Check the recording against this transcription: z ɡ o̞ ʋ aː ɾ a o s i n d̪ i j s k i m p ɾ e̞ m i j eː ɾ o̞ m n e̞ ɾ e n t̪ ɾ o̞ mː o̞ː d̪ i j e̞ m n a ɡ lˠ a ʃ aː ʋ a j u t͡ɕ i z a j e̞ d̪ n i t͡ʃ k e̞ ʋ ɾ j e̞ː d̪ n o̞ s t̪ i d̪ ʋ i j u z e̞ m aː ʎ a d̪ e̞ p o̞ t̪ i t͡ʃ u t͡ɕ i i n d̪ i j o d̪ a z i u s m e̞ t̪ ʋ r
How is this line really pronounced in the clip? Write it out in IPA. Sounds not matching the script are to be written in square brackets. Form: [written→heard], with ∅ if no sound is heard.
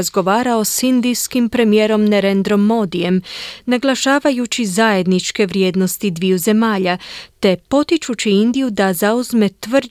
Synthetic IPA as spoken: z ɡ o̞ ʋ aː ɾ a o s i n d̪ i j s k i m p ɾ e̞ m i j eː ɾ o̞ m n e̞ ɾ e n [t̪→d̪] ɾ o̞ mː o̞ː d̪ i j e̞ m n a ɡ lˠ a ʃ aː ʋ a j u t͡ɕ i z a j e̞ d̪ n i t͡ʃ k e̞ ʋ ɾ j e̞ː d̪ n o̞ s t̪ i d̪ ʋ i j u z e̞ m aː ʎ a [d̪→t̪] e̞ p o̞ t̪ i t͡ʃ u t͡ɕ i i n d̪ i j [o→u] d̪ a z [i→a] u [s→z] m e̞ t̪ ʋ r